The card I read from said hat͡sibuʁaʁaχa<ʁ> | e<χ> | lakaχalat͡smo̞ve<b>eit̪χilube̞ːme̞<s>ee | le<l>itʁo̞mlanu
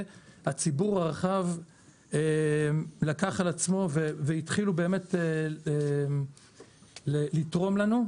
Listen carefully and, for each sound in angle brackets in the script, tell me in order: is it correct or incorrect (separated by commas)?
incorrect, incorrect, incorrect, incorrect, correct